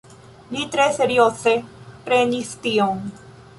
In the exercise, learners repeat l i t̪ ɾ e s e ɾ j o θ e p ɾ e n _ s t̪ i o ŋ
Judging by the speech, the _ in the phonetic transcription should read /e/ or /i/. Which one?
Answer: i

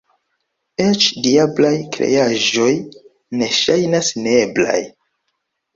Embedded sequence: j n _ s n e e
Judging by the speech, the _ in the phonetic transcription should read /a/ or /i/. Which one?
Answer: a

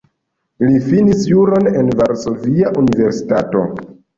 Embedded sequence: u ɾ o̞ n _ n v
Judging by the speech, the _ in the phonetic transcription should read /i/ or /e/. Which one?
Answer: e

